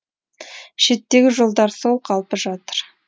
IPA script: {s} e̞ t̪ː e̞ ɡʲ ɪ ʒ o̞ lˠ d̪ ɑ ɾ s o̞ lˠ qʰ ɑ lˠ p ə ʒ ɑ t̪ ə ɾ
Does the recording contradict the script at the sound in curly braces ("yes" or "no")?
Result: yes